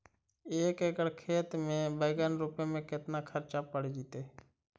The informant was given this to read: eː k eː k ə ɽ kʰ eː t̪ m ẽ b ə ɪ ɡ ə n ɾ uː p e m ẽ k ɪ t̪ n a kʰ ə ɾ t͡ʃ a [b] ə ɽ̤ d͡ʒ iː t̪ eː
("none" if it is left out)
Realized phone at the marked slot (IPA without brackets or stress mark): p